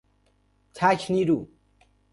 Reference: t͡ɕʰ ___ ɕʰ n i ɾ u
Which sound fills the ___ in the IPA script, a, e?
a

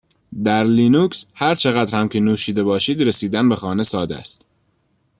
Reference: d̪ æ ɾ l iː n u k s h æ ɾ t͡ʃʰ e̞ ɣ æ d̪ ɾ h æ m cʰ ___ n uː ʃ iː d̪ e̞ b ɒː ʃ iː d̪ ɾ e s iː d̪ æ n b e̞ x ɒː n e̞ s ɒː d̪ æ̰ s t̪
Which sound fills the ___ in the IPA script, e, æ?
e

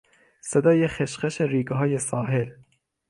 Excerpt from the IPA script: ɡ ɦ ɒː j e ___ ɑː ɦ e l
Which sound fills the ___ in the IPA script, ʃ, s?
s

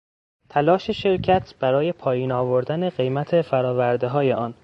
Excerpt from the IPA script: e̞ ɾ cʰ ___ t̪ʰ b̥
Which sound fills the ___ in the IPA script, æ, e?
æ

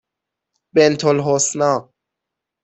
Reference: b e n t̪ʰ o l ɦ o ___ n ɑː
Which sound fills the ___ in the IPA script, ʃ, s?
s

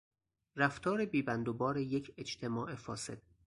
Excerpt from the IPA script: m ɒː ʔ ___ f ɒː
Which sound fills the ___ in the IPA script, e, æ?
e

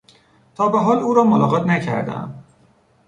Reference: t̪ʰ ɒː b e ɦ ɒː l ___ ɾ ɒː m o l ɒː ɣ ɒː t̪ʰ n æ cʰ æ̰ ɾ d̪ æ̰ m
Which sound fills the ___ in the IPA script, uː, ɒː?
uː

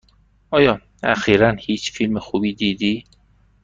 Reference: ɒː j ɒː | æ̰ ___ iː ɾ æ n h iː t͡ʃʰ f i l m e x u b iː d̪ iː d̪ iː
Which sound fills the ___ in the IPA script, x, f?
x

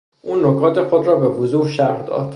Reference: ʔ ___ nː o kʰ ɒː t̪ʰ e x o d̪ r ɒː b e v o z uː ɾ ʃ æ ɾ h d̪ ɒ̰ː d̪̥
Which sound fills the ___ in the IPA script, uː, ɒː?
uː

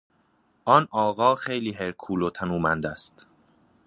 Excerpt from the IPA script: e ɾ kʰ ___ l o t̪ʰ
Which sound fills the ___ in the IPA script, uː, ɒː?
uː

